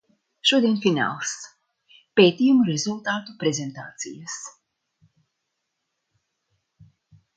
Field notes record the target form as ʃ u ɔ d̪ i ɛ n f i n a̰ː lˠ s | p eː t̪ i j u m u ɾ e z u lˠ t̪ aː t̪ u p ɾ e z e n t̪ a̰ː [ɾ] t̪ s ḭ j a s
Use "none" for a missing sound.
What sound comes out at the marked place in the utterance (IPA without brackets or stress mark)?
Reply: none